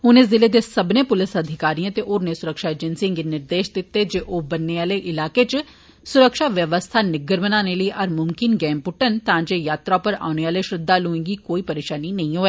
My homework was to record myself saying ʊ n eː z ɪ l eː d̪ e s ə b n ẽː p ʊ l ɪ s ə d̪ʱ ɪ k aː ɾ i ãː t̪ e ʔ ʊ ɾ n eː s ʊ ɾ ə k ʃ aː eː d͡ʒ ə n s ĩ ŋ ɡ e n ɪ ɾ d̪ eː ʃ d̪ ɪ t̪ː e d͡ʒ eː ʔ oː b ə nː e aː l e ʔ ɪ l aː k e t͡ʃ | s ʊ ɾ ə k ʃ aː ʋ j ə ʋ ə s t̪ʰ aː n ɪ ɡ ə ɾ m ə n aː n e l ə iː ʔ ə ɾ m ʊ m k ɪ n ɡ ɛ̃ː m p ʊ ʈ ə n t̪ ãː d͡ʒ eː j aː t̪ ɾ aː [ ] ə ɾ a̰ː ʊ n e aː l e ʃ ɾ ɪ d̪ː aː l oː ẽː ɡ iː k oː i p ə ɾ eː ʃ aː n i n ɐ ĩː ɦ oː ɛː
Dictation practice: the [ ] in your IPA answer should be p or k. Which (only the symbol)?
p